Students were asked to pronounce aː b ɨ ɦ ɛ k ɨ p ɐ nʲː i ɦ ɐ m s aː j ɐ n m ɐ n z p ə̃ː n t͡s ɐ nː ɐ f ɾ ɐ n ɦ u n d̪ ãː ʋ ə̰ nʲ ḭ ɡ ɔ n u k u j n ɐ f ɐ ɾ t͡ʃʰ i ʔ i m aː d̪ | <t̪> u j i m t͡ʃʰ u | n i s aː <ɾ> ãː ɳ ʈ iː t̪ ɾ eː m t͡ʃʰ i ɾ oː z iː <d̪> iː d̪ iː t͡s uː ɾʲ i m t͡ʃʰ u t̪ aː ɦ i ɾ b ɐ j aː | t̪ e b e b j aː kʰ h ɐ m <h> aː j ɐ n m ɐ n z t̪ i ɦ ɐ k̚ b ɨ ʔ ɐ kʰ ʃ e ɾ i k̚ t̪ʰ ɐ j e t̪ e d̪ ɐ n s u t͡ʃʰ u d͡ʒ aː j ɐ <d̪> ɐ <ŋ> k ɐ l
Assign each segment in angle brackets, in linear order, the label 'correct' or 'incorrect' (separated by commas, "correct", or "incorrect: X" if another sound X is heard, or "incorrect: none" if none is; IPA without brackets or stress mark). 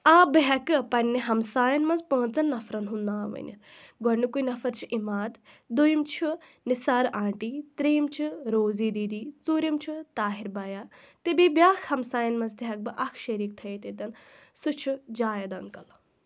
incorrect: d̪, correct, correct, incorrect: s, correct, correct